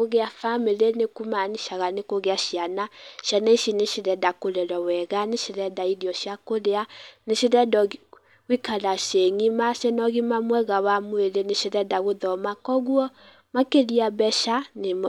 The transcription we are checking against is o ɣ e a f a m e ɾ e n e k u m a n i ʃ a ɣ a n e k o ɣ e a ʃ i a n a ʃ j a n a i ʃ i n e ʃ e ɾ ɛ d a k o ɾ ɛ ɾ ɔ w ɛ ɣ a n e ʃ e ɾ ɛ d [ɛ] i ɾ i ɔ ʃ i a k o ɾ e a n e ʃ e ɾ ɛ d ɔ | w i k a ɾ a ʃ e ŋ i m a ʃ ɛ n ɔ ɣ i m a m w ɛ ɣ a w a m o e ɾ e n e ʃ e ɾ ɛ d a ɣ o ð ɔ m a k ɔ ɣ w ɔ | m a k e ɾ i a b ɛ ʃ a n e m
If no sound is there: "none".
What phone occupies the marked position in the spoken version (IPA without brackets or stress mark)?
a